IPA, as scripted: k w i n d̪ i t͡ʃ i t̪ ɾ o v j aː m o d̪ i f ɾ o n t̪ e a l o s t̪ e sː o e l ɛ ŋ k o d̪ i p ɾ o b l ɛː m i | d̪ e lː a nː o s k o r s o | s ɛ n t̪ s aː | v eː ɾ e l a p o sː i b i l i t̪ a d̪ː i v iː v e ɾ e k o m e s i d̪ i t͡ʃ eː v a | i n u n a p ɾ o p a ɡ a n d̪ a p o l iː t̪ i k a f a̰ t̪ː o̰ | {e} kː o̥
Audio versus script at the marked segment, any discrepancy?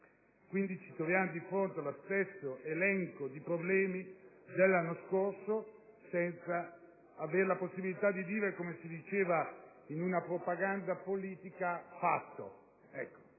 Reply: yes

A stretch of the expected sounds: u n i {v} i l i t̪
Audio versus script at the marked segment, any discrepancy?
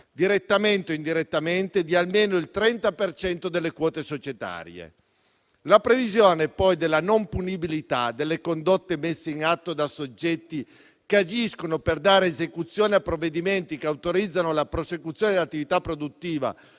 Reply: yes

